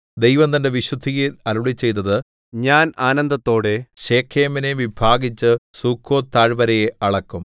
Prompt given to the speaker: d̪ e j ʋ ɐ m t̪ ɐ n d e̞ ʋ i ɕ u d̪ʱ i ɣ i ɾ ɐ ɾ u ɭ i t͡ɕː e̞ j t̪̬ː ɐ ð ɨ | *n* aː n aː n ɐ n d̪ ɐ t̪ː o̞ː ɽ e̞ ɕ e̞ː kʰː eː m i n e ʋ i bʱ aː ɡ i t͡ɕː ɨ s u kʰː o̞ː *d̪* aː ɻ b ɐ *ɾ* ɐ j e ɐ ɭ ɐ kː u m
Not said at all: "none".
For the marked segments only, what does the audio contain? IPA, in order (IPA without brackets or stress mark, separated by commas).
ɲ, t̪, ɾ